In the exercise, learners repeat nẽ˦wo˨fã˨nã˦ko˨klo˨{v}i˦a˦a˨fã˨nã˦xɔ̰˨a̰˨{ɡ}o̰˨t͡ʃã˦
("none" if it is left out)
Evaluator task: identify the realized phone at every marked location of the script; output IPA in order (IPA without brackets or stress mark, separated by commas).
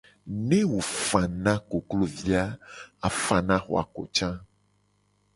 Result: v, k